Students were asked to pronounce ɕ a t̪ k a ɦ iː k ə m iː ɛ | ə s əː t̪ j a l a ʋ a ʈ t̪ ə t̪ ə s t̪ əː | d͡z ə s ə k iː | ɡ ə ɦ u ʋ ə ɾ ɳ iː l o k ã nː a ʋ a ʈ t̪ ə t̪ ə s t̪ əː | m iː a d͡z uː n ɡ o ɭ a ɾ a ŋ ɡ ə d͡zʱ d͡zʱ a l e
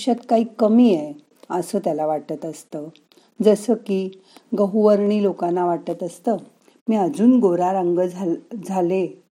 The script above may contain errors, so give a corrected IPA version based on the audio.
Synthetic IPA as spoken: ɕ a t̪ k a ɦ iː k ə m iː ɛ | ə s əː t̪ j a l a ʋ a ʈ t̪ ə t̪ ə s t̪ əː | d͡z ə s ə k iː | ɡ ə ɦ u ʋ ə ɾ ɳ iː l o k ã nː a ʋ a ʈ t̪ ə t̪ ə s t̪ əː | m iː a d͡z uː n ɡ o ɾ a ɾ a ŋ ɡ ə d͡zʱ d͡zʱ a l e